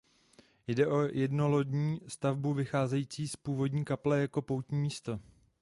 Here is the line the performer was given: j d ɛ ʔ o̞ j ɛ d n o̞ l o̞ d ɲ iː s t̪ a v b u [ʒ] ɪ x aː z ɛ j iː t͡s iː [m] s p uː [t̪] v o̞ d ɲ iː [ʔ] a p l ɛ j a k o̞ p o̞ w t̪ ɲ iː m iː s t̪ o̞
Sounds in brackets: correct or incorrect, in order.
incorrect: v, incorrect: none, incorrect: none, incorrect: k

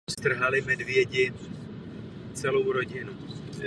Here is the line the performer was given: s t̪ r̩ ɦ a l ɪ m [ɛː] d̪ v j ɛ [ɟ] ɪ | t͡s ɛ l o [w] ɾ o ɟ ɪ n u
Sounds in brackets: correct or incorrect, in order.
incorrect: ɛ, correct, correct

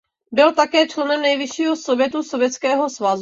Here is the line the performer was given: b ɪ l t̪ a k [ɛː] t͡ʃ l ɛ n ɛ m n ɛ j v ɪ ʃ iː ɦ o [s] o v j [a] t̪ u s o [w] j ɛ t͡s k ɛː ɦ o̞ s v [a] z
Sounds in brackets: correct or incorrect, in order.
correct, correct, incorrect: ɛ, incorrect: v, correct

